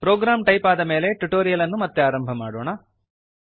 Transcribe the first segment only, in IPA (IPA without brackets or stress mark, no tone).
p